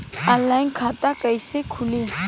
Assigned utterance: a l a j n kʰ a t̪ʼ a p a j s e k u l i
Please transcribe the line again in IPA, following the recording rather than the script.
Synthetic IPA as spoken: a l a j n kʰ a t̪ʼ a k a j s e kʰ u l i